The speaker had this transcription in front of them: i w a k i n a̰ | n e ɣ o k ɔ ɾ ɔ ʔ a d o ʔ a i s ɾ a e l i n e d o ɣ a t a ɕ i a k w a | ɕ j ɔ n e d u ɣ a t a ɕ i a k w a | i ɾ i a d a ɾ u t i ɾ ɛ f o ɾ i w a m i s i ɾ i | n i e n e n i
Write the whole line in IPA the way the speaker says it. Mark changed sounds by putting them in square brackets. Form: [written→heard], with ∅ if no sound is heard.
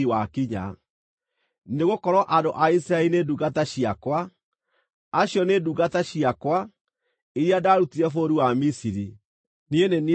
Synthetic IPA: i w a k i [n→ɲ] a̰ | n e ɣ o k ɔ ɾ ɔ ʔ a d o ʔ a i s ɾ a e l i n e d [o→u] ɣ a t a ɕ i a k w a | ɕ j ɔ n e d u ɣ a t a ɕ i a k w a | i ɾ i a d a ɾ u t i ɾ ɛ f o ɾ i w a m i s i ɾ i | n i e n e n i